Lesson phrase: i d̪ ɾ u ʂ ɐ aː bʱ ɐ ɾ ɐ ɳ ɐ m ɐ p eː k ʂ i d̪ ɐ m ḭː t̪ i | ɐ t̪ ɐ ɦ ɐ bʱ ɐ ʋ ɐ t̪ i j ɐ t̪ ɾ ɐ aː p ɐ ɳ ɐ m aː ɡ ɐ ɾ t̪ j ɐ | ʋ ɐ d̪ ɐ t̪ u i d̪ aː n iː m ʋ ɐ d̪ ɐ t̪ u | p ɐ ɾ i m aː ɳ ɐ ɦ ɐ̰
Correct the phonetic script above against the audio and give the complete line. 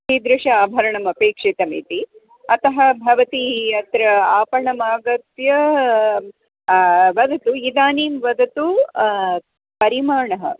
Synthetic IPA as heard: i d̪ ɾ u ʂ ɐ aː bʱ ɐ ɾ ɐ ɳ ɐ m ɐ p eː k ʂ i t̪ ɐ m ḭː t̪ i | ɐ t̪ ɐ ɦ ɐ bʱ ɐ ʋ ɐ t̪ i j ɐ t̪ ɾ ɐ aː p ɐ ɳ ɐ m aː ɡ ɐ t̪ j ɐ | ʋ ɐ d̪ ɐ t̪ u i d̪ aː n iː m ʋ ɐ d̪ ɐ t̪ u | p ɐ ɾ i m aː ɳ ɐ ɦ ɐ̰